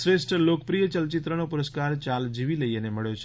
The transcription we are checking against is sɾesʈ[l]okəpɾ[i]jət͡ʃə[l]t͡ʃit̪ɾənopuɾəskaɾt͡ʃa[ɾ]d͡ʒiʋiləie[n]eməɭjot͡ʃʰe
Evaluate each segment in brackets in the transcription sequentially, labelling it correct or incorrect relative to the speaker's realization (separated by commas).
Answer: correct, correct, correct, incorrect, correct